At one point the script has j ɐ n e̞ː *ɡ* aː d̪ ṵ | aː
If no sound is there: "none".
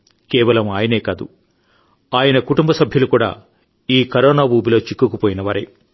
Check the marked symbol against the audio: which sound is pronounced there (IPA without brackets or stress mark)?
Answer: k